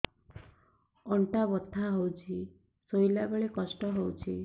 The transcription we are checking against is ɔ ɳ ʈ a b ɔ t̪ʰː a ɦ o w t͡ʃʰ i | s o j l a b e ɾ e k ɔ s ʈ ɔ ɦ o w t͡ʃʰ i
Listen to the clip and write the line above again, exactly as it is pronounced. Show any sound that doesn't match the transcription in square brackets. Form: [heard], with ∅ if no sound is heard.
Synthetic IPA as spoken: ɔ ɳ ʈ a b ɔ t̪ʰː a ɦ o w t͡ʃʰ i | s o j l a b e [ɭ] e k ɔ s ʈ ɔ ɦ o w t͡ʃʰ i

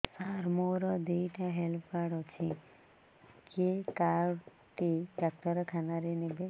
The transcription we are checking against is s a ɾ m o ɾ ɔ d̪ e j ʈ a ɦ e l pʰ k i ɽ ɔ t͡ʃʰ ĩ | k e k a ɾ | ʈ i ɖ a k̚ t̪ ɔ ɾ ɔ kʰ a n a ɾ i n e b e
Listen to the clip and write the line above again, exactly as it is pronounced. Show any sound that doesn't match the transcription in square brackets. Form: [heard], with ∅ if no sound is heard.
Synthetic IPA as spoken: s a ɾ m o ɾ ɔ d̪ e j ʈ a ɦ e l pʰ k [a] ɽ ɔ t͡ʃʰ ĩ | k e k a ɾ | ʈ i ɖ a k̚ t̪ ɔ ɾ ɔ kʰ a n a ɾ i n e b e

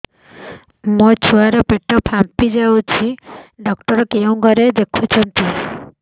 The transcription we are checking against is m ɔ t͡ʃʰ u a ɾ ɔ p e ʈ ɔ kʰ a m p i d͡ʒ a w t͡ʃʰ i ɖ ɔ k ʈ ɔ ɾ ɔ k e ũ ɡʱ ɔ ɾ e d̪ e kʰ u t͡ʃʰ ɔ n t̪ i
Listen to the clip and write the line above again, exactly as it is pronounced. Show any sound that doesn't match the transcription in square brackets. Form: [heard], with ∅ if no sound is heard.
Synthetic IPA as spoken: m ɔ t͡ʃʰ u a ɾ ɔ p e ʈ ɔ [pʰ] a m p i d͡ʒ a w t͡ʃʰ i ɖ ɔ k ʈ ɔ ɾ ɔ k e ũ ɡʱ ɔ ɾ e d̪ e kʰ u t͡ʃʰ ɔ n t̪ i

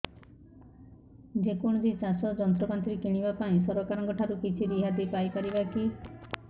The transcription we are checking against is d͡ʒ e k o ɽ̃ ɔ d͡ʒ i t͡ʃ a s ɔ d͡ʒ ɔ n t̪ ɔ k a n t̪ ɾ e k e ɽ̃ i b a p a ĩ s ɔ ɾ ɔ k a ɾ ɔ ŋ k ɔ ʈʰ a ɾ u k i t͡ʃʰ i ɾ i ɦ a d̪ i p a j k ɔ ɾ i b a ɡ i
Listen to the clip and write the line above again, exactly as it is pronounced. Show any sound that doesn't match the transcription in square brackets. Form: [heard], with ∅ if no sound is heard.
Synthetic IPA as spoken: d͡ʒ e k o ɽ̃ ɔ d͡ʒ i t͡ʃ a s ɔ d͡ʒ ɔ n t̪ ɔ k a n t̪ ɾ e k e ɽ̃ i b a p a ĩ s ɔ ɾ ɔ k a ɾ ɔ ŋ k ɔ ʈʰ a ɾ u k i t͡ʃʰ i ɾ i ɦ a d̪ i p a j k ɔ ɾ i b a [k] i

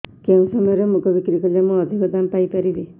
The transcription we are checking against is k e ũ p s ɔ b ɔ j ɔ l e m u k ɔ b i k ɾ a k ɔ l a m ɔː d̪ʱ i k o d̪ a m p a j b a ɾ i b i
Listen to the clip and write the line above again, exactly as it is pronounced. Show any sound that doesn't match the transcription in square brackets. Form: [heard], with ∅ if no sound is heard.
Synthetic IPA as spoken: k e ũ [∅] s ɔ [m] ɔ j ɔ [ɾ] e m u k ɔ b i k ɾ [i] k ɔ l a m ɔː d̪ʱ i k [ɔ] d̪ a m p a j [p] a ɾ i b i

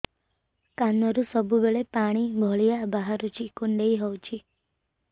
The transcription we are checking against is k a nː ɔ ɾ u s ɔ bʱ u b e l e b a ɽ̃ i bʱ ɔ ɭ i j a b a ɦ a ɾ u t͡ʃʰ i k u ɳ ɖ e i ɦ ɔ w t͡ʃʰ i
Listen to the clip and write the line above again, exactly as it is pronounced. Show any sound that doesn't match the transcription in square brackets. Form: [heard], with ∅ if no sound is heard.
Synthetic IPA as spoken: k a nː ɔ ɾ u s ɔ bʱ u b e [ɭ] e [p] a ɽ̃ i bʱ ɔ ɭ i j a b a ɦ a ɾ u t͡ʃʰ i k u ɳ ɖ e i ɦ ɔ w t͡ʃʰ i

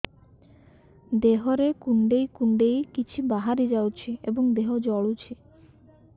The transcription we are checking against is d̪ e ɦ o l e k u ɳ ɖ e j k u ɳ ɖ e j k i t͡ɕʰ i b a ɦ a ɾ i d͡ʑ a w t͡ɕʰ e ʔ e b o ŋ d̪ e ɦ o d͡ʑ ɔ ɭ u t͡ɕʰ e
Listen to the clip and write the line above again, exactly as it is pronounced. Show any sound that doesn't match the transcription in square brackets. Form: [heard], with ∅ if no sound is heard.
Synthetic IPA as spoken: d̪ e ɦ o [ɾ] e k u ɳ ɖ e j k u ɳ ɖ e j k i t͡ɕʰ i b a ɦ a ɾ i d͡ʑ a w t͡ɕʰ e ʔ e b o ŋ d̪ e ɦ o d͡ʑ ɔ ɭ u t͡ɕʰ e

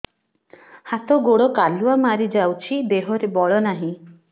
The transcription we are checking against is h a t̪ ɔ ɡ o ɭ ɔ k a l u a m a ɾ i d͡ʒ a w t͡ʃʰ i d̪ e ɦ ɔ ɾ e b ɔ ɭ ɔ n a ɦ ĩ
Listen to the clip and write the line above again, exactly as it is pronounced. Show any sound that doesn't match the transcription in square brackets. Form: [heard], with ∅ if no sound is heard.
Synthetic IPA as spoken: h a t̪ ɔ ɡ o [ɽ] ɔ k a l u a m a ɾ i d͡ʒ a w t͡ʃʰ i d̪ e ɦ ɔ ɾ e b ɔ ɭ ɔ n a ɦ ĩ

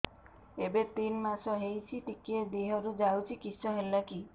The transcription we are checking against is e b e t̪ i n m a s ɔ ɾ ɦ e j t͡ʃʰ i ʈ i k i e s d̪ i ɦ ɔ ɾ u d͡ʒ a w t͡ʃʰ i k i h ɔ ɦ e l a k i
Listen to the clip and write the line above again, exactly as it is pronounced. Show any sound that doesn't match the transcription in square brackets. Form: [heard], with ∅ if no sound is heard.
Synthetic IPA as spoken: e b e t̪ i n m a s ɔ [∅] ɦ e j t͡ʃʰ i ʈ i k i e [∅] d̪ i ɦ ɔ ɾ u d͡ʒ a w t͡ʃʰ i k i [s] ɔ ɦ e l a k i

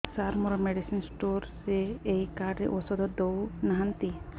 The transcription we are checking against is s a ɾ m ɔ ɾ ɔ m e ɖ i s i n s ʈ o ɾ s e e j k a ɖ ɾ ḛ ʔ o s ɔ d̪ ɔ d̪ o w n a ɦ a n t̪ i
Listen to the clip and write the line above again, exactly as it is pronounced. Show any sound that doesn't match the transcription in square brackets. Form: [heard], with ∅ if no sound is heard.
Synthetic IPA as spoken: s a ɾ m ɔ ɾ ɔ m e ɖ i s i n s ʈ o ɾ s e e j k a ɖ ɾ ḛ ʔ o s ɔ d̪ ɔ d̪ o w n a ɦ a n t̪ i

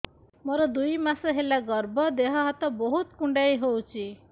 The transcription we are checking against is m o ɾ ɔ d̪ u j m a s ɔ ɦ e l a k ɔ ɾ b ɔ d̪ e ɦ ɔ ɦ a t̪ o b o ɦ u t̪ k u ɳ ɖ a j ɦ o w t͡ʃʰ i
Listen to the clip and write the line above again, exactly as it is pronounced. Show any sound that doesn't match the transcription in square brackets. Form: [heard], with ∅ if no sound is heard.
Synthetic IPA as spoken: m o ɾ ɔ d̪ u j m a s ɔ ɦ e l a [ɡ] ɔ ɾ b ɔ d̪ e ɦ ɔ ɦ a t̪ [ɔ] b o ɦ u t̪ k u ɳ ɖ a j ɦ o w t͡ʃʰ i

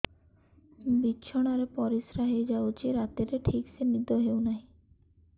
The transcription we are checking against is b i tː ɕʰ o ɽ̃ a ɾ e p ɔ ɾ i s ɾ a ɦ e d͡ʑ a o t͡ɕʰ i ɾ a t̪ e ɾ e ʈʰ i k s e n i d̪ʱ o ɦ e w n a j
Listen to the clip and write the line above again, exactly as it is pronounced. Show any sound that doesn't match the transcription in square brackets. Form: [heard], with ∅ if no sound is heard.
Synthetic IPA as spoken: b i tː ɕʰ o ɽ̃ a ɾ e p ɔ ɾ i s ɾ a ɦ e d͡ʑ a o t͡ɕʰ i ɾ a t̪ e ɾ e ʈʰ i k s e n i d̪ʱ o ɦ e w n a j

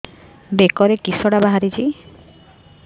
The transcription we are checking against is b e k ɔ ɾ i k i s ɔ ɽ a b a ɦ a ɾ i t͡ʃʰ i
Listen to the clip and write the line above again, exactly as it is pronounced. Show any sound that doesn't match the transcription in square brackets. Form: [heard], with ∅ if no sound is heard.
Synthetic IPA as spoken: b e k ɔ ɾ [e] k i s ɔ ɽ a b a ɦ a ɾ i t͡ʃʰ i

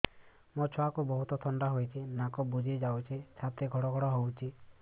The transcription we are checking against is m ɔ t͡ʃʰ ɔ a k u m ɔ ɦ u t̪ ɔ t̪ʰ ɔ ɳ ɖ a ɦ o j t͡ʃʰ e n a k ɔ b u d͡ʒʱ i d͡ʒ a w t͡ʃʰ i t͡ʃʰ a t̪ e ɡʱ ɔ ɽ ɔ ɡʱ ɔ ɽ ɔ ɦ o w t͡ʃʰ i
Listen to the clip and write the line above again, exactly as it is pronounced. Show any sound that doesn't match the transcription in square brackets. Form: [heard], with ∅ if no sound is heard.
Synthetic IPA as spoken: m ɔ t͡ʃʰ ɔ a k u [b] ɔ ɦ u t̪ ɔ t̪ʰ ɔ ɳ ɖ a ɦ o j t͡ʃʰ [i] n a k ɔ b u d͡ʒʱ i d͡ʒ a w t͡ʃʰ i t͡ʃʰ a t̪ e ɡʱ ɔ ɽ ɔ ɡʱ ɔ ɽ ɔ ɦ o w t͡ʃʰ i

